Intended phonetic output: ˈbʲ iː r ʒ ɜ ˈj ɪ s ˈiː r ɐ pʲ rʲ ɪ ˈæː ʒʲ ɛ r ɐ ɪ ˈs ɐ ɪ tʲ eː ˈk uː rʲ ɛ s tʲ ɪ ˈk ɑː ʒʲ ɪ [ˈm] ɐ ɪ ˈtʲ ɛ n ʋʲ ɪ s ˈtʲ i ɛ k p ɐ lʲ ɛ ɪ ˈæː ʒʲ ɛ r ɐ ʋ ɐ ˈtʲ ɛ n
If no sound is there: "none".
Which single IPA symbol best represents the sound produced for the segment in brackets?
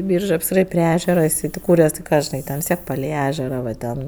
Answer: n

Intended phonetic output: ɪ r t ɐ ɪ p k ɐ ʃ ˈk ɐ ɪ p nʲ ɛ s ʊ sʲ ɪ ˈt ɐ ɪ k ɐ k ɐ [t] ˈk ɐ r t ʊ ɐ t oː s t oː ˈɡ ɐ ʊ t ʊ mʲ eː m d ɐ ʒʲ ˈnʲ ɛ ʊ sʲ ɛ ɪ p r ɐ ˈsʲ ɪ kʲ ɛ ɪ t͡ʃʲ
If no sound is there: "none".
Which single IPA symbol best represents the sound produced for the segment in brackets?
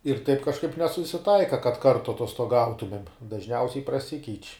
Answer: t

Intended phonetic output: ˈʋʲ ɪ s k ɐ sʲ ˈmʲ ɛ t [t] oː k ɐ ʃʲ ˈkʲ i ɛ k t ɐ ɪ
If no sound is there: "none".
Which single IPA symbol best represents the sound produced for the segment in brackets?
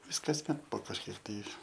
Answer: p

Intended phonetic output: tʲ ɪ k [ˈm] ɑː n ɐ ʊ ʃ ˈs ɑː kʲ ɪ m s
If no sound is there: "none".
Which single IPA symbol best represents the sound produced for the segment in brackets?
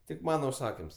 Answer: m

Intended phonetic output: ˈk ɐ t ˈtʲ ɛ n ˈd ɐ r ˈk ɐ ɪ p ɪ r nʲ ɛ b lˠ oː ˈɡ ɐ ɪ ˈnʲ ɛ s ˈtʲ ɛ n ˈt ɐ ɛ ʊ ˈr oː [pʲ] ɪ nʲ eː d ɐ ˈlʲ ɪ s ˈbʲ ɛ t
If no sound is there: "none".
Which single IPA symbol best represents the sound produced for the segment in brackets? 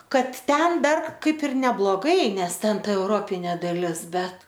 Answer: pʲ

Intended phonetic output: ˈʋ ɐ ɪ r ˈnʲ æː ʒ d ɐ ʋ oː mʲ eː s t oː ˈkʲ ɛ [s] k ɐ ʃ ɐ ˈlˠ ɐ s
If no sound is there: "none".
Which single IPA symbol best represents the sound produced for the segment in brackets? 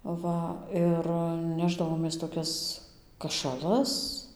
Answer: s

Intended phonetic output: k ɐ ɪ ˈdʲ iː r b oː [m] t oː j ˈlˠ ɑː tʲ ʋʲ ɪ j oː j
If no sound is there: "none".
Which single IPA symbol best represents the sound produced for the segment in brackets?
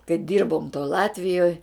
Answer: m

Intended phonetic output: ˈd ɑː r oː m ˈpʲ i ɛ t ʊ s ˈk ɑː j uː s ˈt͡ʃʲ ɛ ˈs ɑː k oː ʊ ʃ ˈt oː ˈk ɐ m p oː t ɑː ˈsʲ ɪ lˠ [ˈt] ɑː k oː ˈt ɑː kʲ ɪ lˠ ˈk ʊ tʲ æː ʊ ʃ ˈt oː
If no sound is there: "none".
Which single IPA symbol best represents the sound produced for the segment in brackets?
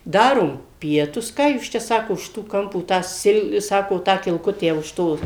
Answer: s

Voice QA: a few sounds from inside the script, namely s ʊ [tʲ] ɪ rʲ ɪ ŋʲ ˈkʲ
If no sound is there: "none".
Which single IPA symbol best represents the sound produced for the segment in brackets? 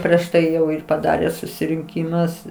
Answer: sʲ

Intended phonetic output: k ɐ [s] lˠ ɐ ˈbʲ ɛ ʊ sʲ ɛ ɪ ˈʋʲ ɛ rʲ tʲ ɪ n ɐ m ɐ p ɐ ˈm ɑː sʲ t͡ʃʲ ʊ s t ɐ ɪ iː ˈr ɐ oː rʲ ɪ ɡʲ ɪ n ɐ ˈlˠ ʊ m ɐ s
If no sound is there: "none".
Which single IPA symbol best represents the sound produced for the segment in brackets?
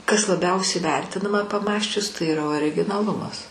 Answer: s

